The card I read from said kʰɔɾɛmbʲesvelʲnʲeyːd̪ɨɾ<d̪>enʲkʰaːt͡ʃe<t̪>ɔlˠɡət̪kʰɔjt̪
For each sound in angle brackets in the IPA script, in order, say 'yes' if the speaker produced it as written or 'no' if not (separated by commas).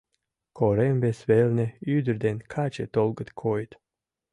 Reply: yes, yes